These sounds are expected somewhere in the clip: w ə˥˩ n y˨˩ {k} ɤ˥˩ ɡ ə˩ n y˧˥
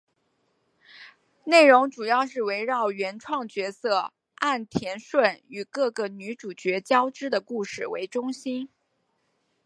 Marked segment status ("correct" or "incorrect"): correct